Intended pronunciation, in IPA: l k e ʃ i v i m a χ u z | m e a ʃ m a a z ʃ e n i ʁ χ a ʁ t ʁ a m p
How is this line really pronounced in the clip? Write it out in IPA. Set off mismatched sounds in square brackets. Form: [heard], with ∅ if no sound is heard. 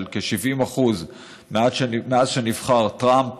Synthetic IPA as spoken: l k e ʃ i v i m a χ u z | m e a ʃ m [e] a z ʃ e n i [v] χ a ʁ t ʁ a m p